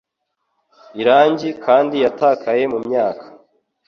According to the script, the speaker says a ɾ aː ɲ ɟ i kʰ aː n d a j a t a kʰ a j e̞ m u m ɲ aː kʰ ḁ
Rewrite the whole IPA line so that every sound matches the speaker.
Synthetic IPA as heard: i ɾ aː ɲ ɟ i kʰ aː n d i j a t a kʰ a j e̞ m u m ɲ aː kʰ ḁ